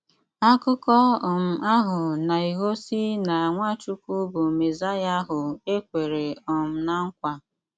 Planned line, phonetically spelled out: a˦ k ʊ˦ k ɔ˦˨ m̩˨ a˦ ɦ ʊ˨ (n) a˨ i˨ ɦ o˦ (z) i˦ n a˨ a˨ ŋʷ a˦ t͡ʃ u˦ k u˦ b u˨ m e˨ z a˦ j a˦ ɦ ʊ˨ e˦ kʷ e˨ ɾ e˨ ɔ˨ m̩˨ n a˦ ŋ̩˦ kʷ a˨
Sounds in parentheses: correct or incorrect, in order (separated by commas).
correct, incorrect